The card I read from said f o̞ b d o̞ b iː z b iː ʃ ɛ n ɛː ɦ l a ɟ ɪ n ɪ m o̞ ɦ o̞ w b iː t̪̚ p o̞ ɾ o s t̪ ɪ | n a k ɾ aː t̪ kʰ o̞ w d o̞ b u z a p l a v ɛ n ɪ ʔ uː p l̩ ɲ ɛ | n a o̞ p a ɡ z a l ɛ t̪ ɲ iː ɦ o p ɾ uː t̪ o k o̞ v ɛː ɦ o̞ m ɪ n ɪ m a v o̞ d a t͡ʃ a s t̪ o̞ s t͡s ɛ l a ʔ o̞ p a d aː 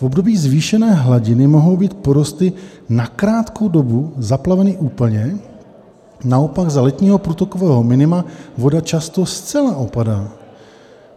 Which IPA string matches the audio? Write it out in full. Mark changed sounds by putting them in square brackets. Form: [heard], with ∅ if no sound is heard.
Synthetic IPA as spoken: f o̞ b d o̞ b iː z [v] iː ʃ ɛ n ɛː ɦ l a ɟ ɪ n ɪ m o̞ ɦ o̞ w b iː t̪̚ p o̞ ɾ o s t̪ ɪ | n a k ɾ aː t̪ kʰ o̞ w d o̞ b u z a p l a v ɛ n ɪ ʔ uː p l̩ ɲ ɛ | n a o̞ p a ɡ z a l ɛ t̪ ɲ iː ɦ o p ɾ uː t̪ o k o̞ v ɛː ɦ o̞ m ɪ n ɪ m a v o̞ d a t͡ʃ a s t̪ o̞ s t͡s ɛ l a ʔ o̞ p a d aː